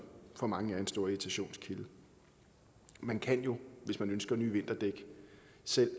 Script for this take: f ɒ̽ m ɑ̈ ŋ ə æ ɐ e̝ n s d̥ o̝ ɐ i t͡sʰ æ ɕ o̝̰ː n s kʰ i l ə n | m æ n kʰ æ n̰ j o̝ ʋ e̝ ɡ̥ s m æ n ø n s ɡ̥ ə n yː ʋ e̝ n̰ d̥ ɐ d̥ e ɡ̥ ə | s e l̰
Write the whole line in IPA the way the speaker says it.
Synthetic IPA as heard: f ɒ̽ m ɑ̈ ŋ ə æ ɐ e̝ n s d̥ o̝ ɐ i t͡sʰ æ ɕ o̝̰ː n s kʰ i l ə | m æ n kʰ æ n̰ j o̝ ʋ e̝ s m æ n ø n s ɡ̥ ɐ n yː ʋ e̝ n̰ d̥ ɐ d̥ e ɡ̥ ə | s e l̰